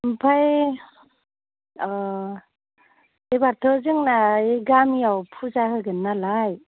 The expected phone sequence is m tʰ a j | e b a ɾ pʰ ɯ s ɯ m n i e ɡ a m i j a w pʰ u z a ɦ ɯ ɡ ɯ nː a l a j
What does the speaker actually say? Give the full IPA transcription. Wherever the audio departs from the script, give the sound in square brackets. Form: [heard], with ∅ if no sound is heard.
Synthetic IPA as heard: m [pʰ] a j | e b a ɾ [tʰ] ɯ [z] ɯ [ŋ] n [a] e ɡ a m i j a w pʰ u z a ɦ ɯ ɡ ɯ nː a l a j

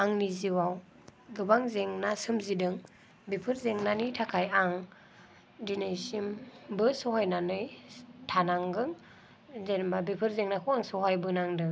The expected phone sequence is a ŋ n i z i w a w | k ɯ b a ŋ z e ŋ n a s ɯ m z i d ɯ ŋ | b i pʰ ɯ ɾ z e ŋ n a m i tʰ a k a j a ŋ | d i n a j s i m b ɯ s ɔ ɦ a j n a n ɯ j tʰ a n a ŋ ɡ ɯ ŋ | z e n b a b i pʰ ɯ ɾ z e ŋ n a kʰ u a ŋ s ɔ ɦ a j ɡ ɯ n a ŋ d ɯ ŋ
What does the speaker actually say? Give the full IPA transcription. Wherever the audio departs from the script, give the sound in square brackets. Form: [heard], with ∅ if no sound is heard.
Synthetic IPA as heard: a ŋ n i z i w a w | [ɡ] ɯ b a ŋ z e ŋ n a s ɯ m z i d ɯ ŋ | b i pʰ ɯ ɾ z e ŋ n a [n] i tʰ a [kʰ] a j a ŋ | d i n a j s i m b ɯ s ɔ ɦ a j n a n ɯ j tʰ a n a ŋ ɡ ɯ ŋ | z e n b a b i pʰ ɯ ɾ z e ŋ n a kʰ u a ŋ s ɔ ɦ a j [b] ɯ n a ŋ d ɯ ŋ

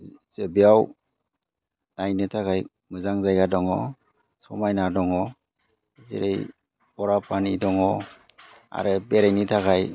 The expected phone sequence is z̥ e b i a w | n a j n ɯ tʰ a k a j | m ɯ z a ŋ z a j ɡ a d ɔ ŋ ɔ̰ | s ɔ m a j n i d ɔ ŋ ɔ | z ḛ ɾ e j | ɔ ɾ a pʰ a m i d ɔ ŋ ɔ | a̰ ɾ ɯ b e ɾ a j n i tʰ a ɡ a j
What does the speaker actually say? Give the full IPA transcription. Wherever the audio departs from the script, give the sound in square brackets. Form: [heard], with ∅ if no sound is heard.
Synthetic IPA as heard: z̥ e b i a w | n a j n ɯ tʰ a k a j | m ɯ z a ŋ z a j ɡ a d ɔ ŋ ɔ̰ | s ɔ m a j n [a] d ɔ ŋ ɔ | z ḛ ɾ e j | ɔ ɾ a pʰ a [n] i d ɔ ŋ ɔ | a̰ ɾ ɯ b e ɾ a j n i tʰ a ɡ a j

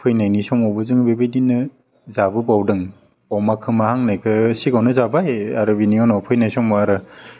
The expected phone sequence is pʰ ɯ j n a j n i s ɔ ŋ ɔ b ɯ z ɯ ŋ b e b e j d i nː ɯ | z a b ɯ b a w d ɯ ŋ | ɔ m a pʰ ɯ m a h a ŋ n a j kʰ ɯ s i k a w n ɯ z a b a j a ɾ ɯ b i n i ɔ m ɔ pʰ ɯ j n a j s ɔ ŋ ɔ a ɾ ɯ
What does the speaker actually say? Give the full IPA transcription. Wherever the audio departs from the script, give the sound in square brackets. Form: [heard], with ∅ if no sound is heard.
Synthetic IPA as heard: pʰ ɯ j n a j n i s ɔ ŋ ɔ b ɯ z ɯ ŋ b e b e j d i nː ɯ | z a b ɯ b a w d ɯ ŋ | ɔ m a [kʰ] ɯ m a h a ŋ n a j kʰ ɯ s i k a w n ɯ z a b a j a ɾ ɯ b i n i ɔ [n] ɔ pʰ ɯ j n a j s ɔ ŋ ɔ a ɾ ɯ

